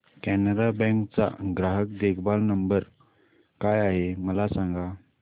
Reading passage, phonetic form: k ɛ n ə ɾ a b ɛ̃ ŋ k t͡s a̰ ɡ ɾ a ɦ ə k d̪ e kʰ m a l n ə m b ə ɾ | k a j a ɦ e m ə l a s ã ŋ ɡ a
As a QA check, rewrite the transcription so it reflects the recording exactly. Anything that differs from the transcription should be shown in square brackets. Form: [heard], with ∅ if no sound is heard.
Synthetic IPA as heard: k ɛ n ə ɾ a b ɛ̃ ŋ k t͡s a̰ ɡ ɾ a ɦ ə k d̪ e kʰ [b] a l n ə m b ə ɾ | k a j a ɦ e m ə l a s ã ŋ ɡ a